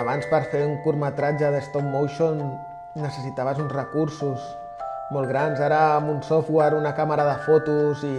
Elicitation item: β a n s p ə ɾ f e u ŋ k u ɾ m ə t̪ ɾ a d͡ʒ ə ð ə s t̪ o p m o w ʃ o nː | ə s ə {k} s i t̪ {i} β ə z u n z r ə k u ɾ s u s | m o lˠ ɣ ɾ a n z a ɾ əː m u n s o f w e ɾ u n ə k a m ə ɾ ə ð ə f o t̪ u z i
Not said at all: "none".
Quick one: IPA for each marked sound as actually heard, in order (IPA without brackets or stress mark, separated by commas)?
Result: none, a